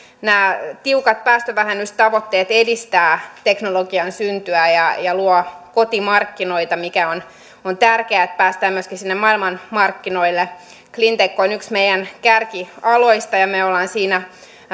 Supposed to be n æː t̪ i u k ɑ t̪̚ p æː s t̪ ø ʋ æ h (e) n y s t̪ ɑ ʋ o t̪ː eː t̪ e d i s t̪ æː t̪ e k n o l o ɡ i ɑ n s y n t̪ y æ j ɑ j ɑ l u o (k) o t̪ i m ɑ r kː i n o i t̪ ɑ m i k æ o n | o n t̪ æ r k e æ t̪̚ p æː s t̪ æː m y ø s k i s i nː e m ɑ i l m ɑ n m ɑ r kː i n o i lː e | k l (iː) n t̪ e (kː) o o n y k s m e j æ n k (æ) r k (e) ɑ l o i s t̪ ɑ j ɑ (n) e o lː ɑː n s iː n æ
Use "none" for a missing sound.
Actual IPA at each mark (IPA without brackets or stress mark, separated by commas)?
æ, k, i, kː, æ, i, m